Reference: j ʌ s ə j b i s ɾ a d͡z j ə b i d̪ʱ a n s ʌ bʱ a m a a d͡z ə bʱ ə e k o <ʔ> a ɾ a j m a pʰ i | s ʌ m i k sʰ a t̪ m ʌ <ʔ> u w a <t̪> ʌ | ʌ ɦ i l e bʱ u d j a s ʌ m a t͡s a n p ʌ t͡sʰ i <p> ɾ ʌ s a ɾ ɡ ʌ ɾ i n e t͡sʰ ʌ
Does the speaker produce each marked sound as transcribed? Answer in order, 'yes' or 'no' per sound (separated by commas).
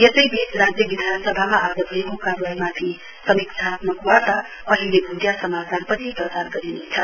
no, no, yes, yes